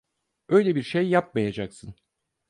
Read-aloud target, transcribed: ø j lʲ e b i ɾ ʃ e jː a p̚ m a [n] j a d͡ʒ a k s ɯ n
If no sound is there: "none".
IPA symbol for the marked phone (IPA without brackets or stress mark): none